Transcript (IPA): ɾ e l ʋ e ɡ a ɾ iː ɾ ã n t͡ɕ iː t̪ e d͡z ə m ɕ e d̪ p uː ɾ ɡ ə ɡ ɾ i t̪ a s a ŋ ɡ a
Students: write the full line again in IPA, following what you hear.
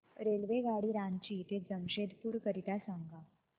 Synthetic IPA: ɾ e l ʋ e ɡ a ɽ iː ɾ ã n t͡ɕ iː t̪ e d͡z ə m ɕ e d̪ p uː ɾ k ə ɾ i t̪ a s a ŋ ɡ a